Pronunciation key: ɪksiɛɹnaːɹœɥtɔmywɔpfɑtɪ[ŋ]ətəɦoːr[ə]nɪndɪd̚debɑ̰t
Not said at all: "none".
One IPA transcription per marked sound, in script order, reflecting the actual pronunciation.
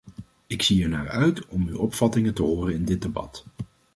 ŋ, ə

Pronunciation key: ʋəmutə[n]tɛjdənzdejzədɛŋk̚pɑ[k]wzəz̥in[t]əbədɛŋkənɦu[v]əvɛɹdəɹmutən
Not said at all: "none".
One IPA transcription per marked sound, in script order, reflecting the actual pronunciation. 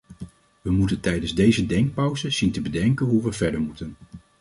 n, none, t, ʋ

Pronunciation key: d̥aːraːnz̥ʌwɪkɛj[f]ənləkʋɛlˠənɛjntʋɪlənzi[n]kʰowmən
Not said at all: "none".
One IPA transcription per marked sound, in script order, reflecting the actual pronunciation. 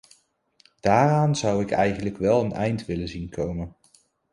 χ, n

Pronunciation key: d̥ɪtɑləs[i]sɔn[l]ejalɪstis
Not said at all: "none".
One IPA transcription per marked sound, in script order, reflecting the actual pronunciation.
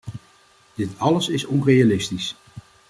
ɪ, r

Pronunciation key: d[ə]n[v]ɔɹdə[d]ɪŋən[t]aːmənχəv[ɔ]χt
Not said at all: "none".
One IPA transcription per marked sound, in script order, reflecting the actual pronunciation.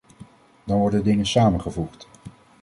ɑ, ʋ, d, s, u

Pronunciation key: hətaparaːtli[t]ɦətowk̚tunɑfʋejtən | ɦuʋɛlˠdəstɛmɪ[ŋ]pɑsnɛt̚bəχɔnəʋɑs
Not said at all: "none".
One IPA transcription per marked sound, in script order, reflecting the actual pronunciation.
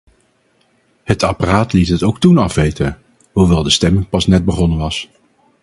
t, ŋ

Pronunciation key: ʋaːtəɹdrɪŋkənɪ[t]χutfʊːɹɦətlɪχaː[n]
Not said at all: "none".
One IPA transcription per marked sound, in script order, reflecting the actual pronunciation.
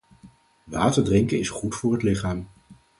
s, m

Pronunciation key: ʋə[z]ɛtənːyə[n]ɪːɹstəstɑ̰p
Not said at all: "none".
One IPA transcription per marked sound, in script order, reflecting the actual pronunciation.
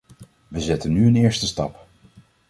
z, n

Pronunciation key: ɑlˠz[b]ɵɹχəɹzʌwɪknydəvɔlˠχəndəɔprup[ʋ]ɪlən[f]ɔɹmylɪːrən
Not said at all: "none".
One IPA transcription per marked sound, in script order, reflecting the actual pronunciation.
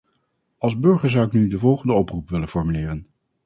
b, ʋ, f

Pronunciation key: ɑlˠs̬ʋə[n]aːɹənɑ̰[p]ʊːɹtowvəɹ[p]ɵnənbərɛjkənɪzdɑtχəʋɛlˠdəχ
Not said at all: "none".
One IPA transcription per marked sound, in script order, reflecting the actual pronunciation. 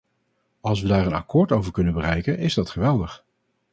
d, k, k

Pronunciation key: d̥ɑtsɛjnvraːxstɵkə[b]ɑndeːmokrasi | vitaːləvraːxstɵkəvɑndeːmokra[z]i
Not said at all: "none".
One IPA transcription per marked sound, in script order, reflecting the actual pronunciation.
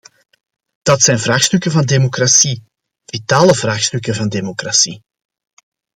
v, s

